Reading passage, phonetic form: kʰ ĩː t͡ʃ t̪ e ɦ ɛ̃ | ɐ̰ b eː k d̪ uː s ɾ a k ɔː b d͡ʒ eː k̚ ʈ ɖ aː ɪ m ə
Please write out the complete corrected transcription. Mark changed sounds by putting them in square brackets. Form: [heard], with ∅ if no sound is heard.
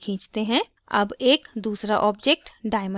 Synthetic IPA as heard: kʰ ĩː t͡ʃ t̪ e ɦ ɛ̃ | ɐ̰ b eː k d̪ uː s ɾ a [ʔ] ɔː b d͡ʒ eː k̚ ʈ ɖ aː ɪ m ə